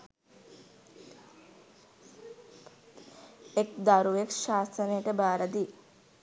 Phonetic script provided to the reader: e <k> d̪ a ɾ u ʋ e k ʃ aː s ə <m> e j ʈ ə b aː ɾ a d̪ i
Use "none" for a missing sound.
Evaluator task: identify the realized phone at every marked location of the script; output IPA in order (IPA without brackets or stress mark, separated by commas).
k, n